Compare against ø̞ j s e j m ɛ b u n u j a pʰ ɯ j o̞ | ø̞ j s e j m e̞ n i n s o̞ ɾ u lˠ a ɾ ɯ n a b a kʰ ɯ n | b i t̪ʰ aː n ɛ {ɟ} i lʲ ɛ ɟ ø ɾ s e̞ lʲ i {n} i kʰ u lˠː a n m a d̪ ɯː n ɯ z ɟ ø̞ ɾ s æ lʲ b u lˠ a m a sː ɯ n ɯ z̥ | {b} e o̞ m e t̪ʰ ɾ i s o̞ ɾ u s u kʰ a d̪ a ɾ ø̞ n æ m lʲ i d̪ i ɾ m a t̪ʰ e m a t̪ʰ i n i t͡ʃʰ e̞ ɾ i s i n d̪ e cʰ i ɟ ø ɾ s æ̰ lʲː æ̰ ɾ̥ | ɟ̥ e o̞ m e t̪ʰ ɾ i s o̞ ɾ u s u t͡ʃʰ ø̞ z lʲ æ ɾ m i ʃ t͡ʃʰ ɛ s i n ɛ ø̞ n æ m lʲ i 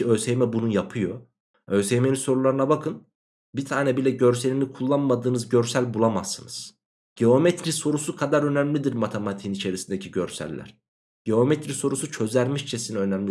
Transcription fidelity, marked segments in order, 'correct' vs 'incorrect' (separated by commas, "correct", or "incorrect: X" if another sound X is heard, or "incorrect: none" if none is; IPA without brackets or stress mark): incorrect: b, incorrect: m, incorrect: ɟ